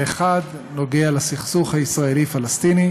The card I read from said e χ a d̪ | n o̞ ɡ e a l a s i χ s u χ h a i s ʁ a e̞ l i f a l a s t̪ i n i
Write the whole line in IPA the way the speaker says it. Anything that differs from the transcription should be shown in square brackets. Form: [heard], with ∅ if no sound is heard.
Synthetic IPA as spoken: e χ a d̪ | n o̞ ɡ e a l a s i χ s u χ h a i s ʁ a e̞ l i f a l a s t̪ i n i

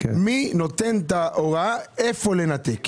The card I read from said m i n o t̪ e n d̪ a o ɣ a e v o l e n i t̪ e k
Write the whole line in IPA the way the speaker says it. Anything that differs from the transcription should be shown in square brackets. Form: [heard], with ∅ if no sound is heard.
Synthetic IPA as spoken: m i n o t̪ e n [t̪] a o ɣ a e [f] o l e n [a] t̪ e k

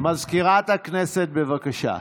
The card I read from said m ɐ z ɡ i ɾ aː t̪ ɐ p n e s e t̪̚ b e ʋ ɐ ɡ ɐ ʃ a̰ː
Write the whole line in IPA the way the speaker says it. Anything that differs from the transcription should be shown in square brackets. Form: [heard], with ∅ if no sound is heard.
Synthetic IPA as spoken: m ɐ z [k] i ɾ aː t̪ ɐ [k] n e s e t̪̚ b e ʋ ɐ [k] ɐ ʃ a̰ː

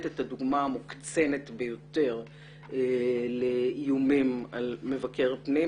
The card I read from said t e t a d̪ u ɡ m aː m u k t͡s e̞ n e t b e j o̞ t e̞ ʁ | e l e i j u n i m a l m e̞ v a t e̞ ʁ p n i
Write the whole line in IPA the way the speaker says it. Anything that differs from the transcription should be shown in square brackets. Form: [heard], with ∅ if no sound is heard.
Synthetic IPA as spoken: t e t a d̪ u ɡ m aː m u k t͡s e̞ n e t b e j o̞ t e̞ ʁ | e l e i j u [m] i m a l m e̞ v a [k] e̞ ʁ p n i

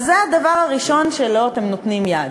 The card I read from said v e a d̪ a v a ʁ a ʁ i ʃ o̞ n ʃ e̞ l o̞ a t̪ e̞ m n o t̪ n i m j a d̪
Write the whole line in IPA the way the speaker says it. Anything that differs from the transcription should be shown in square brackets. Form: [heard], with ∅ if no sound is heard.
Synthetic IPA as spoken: [z] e a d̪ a v a ʁ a ʁ i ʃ o̞ n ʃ e̞ l o̞ a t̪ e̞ m n o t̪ n i m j a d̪

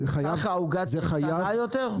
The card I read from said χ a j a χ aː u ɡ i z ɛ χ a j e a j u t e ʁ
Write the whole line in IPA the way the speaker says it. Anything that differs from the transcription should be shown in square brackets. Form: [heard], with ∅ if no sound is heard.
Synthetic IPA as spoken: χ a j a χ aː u ɡ [a] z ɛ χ a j [a] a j [o] t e ʁ

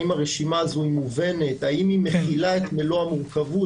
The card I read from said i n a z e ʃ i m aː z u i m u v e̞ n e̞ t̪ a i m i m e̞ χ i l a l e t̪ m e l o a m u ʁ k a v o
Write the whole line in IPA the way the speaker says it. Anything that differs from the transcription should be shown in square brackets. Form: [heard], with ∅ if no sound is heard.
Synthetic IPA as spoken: i [m] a [ʁ] e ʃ i m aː z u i m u v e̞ n e̞ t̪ a i m i m e̞ χ i l a [∅] e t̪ m e l o a m u ʁ k a v [u]

